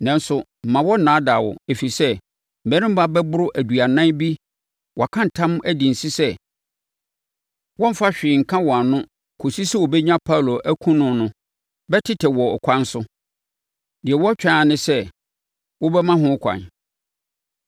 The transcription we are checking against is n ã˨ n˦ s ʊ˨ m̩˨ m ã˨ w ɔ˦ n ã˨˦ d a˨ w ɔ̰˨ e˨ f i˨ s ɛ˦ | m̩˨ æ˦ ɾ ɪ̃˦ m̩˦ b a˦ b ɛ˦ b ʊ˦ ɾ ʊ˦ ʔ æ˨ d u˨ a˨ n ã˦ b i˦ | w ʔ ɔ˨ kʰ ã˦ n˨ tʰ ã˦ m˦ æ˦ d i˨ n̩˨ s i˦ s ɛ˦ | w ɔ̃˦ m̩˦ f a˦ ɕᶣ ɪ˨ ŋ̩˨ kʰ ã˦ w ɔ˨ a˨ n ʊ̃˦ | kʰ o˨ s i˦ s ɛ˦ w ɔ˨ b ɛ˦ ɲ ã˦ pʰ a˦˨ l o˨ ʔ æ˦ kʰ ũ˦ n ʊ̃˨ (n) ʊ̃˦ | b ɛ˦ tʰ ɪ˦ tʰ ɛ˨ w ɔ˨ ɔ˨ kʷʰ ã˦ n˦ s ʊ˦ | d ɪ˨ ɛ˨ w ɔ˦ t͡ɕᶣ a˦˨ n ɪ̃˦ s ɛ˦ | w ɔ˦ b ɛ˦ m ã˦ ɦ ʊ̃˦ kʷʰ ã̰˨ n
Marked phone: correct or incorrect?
correct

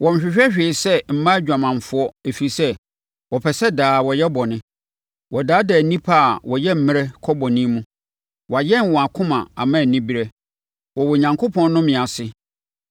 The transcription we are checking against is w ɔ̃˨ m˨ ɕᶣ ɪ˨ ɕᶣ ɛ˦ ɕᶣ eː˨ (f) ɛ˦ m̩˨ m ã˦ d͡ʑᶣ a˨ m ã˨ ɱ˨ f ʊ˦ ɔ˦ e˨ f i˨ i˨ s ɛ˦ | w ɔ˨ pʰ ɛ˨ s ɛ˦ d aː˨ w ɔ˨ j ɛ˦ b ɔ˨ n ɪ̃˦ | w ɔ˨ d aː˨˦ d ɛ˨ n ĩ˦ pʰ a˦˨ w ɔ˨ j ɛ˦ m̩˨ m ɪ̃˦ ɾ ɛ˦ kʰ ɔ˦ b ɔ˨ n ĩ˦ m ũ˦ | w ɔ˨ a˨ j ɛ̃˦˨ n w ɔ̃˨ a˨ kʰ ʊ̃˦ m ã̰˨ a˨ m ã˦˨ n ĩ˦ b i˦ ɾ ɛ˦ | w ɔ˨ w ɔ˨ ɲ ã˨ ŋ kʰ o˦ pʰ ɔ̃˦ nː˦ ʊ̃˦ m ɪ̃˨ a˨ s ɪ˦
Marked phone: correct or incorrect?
incorrect: s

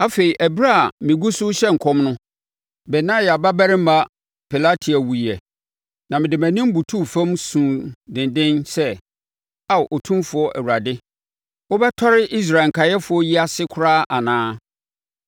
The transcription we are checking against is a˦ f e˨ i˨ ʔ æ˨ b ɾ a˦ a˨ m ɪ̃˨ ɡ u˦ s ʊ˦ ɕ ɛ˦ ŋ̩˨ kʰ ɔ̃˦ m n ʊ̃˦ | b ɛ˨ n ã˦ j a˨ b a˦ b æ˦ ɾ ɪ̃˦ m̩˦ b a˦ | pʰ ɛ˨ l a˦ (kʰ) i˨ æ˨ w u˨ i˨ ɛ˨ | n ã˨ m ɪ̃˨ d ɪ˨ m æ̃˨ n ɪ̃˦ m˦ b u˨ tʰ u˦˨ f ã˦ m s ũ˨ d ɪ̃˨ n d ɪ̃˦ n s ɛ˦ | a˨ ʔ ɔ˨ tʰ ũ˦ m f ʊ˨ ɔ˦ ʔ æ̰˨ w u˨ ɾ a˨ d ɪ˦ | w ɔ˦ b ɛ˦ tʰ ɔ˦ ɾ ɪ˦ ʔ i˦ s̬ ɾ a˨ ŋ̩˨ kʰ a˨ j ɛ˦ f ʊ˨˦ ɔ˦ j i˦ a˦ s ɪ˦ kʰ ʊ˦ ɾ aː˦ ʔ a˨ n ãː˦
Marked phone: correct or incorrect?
incorrect: tʰ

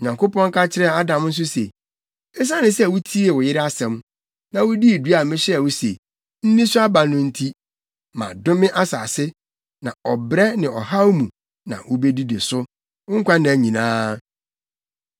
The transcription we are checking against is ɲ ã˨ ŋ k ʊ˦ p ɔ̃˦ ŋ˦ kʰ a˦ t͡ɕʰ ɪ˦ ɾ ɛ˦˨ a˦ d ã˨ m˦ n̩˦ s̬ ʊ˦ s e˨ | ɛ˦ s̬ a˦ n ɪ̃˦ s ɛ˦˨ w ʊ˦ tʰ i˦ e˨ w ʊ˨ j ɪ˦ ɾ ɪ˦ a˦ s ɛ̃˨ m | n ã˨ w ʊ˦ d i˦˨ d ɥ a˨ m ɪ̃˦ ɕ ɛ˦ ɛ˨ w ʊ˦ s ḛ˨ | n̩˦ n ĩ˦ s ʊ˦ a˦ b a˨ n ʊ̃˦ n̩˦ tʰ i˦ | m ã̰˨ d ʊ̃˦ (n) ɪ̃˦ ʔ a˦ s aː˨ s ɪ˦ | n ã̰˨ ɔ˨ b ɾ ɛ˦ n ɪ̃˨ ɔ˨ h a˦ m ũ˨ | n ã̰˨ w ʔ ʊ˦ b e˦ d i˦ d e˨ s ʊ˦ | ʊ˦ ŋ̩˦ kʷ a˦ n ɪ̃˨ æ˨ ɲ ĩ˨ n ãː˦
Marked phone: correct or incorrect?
incorrect: m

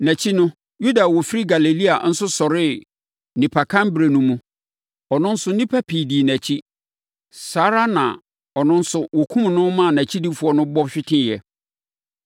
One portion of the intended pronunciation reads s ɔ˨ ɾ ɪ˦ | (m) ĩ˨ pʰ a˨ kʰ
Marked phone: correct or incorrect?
incorrect: n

